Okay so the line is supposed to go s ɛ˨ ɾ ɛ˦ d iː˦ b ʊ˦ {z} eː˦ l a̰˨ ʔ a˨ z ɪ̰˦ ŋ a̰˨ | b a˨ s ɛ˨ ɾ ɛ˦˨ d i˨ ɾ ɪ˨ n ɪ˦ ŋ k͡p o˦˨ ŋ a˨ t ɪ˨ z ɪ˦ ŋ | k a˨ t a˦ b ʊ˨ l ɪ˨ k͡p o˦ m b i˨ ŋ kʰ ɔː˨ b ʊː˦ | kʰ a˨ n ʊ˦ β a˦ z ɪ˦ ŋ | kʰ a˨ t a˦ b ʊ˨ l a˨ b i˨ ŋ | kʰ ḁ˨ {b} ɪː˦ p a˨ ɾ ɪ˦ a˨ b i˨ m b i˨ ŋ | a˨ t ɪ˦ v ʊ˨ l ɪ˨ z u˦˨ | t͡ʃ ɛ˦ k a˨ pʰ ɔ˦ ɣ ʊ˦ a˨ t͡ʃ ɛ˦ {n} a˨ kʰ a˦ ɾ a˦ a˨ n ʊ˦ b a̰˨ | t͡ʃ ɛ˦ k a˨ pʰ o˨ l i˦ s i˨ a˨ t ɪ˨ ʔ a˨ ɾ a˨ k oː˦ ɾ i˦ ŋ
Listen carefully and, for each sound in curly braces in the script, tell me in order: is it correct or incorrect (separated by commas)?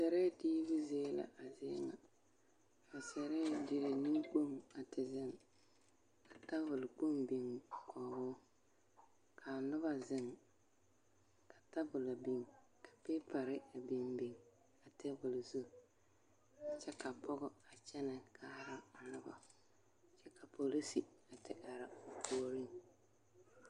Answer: correct, incorrect, correct